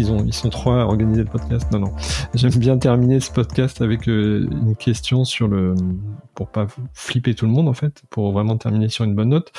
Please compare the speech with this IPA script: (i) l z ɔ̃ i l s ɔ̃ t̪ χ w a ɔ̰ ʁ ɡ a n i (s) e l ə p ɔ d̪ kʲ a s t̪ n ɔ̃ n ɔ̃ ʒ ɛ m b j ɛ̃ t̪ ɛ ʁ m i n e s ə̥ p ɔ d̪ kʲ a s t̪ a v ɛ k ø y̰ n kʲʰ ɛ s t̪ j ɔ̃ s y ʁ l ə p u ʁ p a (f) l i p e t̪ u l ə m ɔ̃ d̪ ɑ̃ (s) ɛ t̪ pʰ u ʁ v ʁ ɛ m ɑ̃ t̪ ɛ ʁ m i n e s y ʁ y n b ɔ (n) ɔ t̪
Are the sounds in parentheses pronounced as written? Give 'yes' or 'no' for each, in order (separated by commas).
yes, no, yes, no, no